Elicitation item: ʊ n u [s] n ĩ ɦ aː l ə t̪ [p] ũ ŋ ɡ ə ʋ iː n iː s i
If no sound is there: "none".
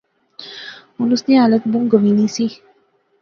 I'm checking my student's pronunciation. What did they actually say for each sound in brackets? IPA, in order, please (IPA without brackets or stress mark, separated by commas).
s, b